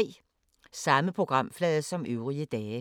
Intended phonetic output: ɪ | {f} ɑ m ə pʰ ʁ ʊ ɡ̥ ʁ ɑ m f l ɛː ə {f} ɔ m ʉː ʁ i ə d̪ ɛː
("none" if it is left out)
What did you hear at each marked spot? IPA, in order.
s, s

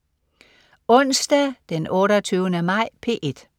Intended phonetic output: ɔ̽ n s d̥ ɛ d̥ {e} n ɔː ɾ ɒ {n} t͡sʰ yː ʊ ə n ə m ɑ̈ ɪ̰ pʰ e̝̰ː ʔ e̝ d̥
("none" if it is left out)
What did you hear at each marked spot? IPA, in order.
e, none

